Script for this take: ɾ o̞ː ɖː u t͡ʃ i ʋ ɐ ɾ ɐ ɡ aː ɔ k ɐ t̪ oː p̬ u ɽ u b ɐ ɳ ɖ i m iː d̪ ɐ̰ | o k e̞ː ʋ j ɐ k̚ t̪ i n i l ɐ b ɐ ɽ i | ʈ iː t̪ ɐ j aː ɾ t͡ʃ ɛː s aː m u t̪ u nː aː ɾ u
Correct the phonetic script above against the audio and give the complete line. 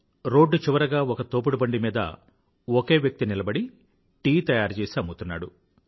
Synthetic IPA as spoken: ɾ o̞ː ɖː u t͡ʃ i ʋ ɐ ɾ ɐ ɡ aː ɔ k ɐ t̪ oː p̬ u ɽ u b ɐ ɳ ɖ i m iː d̪ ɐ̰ | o k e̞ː ʋ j ɐ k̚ t̪ i n i l ɐ b ɐ ɽ i | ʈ iː t̪ ɐ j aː ɾ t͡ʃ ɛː s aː m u t̪ u nː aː ɽ u